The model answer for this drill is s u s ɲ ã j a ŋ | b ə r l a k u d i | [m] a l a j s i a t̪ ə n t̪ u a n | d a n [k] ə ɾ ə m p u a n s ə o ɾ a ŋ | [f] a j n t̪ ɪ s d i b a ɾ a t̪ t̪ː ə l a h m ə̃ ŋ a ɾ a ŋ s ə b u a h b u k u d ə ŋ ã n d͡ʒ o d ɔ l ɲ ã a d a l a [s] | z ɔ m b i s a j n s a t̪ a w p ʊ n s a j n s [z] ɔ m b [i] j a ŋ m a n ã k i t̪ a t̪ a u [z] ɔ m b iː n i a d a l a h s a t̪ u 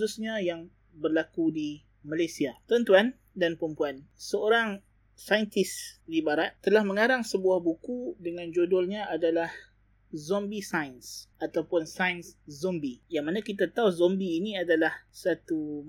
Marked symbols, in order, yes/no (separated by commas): yes, no, no, no, yes, yes, yes